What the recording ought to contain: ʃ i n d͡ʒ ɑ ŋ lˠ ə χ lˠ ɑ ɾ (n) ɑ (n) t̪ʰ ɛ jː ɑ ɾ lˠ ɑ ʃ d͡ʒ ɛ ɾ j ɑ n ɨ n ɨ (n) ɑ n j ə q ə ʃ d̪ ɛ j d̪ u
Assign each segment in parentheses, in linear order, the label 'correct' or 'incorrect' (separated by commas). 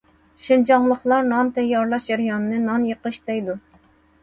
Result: correct, correct, correct